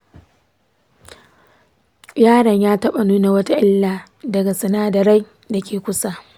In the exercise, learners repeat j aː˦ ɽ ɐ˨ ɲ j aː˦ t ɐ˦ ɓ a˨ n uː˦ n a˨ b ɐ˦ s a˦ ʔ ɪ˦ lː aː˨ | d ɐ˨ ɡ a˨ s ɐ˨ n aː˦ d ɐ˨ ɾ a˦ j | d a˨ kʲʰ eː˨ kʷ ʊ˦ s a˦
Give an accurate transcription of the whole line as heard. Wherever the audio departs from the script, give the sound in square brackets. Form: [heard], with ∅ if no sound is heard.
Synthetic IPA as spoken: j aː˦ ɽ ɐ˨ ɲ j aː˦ t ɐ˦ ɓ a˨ n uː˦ n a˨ [w] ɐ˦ [t] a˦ ʔ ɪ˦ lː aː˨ | d ɐ˨ ɡ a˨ s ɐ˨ n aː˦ d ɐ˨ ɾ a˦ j | d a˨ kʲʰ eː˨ kʷ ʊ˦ s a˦